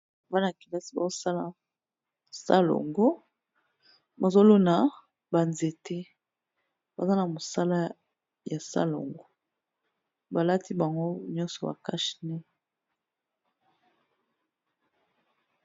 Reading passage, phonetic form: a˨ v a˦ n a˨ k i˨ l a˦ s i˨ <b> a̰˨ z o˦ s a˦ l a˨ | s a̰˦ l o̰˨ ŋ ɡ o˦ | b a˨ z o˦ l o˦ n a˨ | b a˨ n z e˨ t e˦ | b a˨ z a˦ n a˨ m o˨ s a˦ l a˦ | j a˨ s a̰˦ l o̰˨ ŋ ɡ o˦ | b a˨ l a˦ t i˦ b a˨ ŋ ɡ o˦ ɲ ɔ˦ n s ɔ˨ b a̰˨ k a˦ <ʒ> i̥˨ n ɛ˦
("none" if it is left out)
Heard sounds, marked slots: b, ʃ

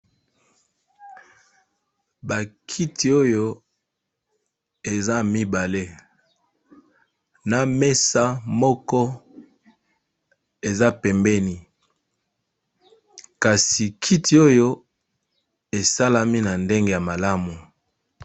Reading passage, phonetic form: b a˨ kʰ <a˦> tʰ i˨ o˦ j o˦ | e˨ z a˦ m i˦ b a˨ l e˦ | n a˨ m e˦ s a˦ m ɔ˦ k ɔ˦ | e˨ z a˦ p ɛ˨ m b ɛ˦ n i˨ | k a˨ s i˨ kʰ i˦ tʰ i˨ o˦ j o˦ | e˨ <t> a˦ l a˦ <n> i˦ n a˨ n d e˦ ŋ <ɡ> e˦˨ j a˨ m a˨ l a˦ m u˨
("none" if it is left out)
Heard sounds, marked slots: i˦, s, m, ɡ

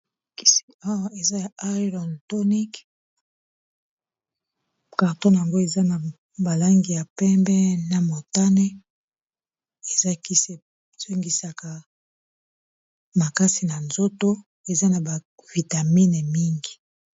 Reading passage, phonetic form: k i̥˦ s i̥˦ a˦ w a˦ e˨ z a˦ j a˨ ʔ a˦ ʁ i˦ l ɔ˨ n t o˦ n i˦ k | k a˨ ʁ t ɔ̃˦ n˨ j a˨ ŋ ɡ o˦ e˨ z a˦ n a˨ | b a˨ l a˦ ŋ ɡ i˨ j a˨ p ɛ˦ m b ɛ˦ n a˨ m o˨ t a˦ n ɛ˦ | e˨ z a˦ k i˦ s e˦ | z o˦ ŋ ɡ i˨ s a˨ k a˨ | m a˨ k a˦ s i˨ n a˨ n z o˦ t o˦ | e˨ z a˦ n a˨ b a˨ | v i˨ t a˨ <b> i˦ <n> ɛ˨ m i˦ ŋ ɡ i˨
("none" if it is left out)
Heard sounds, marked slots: m, n

